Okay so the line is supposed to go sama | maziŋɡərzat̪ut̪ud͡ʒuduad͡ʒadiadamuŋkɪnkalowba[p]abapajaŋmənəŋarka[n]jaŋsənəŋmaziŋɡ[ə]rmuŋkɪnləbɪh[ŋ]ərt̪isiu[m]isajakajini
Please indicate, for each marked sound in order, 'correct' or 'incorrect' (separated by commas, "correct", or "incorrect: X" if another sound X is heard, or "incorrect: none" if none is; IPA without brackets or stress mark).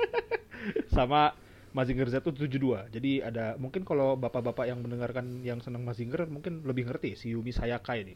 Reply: correct, correct, correct, correct, correct